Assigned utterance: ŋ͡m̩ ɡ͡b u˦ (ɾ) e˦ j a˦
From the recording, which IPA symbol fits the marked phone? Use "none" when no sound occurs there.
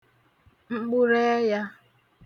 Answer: ɾ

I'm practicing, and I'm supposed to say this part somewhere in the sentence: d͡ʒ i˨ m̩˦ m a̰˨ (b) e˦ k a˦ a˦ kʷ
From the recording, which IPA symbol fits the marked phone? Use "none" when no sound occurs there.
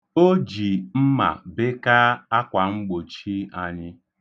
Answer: b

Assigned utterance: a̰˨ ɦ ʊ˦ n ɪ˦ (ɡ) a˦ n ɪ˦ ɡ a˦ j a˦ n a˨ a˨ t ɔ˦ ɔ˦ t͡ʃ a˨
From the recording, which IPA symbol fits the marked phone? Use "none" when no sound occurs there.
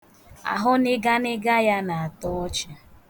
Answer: ɡ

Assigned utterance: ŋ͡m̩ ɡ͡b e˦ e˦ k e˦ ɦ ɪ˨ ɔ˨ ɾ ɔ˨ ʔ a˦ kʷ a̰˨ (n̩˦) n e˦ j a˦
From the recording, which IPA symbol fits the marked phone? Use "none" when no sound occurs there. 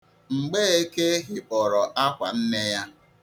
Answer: n̩˦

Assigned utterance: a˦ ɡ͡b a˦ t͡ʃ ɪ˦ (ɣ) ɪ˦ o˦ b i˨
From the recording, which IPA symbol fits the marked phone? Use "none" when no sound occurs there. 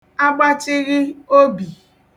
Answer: ɣ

